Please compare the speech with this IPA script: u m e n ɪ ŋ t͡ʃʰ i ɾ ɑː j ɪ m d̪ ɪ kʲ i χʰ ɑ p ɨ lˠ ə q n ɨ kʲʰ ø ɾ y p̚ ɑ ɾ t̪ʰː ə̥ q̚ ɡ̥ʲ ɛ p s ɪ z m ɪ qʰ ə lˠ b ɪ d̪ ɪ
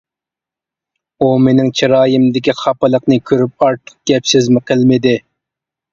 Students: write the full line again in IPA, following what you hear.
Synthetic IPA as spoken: u m e n ɪ ŋ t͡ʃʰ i ɾ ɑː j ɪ m d̪ ɪ kʲ i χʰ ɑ p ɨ lˠ ə q n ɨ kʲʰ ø ɾ y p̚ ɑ ɾ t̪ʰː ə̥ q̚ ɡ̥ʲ ɛ p s ɪ z m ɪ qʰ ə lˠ m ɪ d̪ ɪ